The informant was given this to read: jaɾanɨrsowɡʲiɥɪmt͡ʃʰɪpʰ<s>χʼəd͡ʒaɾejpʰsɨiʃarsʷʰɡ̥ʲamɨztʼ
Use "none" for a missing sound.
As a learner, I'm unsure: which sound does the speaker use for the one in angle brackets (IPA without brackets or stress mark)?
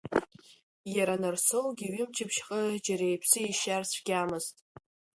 ʃ